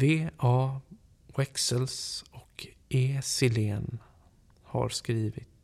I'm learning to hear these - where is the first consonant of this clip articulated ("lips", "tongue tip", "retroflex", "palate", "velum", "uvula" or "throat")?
lips